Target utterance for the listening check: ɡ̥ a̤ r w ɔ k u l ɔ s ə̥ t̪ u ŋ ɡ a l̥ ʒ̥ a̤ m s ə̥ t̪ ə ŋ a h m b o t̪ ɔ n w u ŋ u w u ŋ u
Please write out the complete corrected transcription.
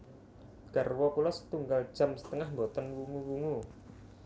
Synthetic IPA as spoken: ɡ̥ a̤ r w ɔ k u l ɔ s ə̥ t̪ u ŋ ɡ a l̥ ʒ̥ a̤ m s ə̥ t̪ ə ŋ a h m b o t̪ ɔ n w u ŋ u w u ŋ u